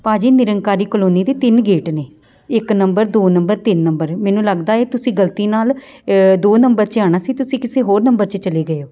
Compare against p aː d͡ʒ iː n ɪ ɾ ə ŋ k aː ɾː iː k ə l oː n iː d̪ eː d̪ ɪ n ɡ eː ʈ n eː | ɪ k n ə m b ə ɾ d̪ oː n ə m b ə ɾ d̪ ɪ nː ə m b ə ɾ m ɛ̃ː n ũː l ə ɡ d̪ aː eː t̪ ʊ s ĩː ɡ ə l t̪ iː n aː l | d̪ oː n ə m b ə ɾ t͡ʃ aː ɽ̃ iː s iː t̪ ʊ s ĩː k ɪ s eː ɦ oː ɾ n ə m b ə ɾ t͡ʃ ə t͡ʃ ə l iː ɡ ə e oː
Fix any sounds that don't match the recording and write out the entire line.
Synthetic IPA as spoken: p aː d͡ʒ iː n ɪ ɾ ə ŋ k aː ɾ iː k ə l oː n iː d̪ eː t̪ ɪ n ɡ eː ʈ n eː | ɪ k n ə m b ə ɾ d̪ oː n ə m b ə ɾ t̪ ɪ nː ə m b ə ɾ m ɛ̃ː n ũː l ə ɡ d̪ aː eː t̪ ʊ s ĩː ɡ ə l t̪ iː n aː l | d̪ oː n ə m b ə ɾ t͡ʃ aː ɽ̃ aː s iː t̪ ʊ s ĩː k ɪ s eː ɦ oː ɾ n ə m b ə ɾ t͡ʃ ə t͡ʃ ə l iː ɡ ə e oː